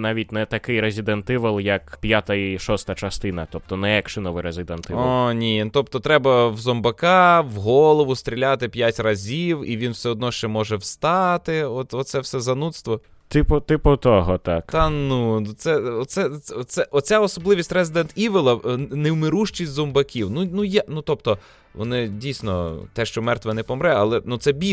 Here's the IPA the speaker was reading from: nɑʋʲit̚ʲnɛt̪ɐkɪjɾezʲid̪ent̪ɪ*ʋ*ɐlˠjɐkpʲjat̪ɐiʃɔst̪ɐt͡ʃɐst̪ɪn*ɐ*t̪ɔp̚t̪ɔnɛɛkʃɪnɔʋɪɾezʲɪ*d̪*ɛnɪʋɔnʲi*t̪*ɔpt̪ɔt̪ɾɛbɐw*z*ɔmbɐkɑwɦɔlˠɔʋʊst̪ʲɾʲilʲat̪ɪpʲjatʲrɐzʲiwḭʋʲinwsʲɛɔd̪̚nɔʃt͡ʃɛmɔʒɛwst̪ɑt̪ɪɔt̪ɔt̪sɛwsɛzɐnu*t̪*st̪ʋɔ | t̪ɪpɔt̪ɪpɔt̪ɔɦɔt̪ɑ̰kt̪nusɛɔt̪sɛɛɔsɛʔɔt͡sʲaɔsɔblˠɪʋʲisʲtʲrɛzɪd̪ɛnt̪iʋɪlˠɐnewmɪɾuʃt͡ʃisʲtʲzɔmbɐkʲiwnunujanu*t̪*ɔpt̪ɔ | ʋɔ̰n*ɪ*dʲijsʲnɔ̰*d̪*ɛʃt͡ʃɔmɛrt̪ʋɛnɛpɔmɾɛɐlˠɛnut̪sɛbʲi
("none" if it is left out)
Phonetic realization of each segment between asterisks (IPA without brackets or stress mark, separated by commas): ʋ, ɐ, d̪, t̪, z, t̪, t̪, ɪ, t̪